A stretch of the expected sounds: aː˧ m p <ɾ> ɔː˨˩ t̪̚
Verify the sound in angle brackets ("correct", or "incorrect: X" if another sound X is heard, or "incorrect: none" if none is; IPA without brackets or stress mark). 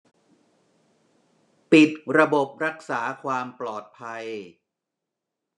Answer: incorrect: l